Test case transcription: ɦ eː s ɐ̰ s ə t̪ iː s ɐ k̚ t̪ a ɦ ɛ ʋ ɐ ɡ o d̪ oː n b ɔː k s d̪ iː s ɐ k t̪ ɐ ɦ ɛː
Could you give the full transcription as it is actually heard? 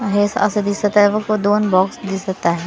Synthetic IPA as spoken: ɦ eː s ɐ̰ s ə d̪ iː s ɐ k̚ t̪ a ɦ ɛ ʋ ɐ k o d̪ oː n b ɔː k s d̪ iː s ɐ k t̪ a ɦ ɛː

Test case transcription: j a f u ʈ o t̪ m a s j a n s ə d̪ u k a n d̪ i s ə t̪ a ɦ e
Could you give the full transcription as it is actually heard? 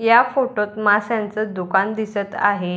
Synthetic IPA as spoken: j a f o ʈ o t̪ m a s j a n t͡s ə d̪ u k a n d̪ i s ə t̪ a ɦ e

